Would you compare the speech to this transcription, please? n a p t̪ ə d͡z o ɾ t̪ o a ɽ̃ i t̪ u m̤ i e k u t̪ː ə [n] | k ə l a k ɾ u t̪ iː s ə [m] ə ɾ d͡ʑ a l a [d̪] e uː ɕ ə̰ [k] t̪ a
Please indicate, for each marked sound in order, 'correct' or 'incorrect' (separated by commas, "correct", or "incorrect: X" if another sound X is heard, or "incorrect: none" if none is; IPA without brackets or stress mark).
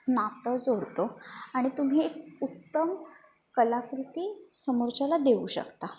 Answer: incorrect: m, correct, correct, correct